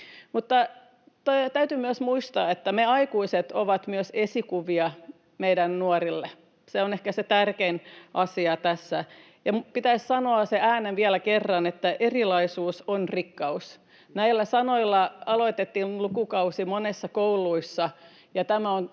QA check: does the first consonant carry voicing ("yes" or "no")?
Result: yes